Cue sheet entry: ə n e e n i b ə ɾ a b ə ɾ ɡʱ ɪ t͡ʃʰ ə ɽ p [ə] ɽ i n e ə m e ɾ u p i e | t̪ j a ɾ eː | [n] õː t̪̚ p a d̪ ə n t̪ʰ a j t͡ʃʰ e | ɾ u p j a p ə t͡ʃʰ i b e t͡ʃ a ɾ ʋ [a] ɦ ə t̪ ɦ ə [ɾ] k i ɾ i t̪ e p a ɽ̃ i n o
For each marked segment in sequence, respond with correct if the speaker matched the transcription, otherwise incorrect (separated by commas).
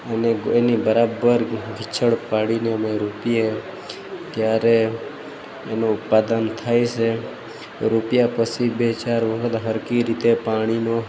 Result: incorrect, correct, incorrect, correct